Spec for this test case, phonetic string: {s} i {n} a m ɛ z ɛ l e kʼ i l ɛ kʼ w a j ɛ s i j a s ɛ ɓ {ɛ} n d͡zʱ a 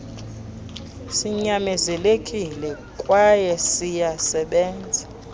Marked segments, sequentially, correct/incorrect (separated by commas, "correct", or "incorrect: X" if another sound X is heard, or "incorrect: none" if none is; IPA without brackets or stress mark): correct, incorrect: ɲ, incorrect: ɛː